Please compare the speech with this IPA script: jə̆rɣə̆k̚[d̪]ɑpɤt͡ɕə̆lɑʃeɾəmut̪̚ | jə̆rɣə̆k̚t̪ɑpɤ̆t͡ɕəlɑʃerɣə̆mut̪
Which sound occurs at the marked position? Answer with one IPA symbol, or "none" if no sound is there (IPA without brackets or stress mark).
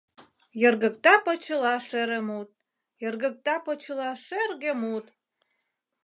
t̪